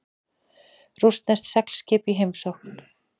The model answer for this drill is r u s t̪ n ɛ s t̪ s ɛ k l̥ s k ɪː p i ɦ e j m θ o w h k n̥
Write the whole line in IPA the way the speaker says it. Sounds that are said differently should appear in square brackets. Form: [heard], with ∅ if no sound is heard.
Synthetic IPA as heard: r u s t̪ n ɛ s t̪ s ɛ k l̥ s [c] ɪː p i ɦ e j m [s] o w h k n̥